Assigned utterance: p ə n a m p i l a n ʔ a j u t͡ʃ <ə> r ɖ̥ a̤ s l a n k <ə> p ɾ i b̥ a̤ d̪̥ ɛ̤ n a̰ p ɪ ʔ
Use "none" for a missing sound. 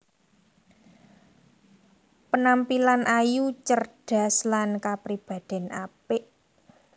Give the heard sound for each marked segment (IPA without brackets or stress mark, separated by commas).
ə, a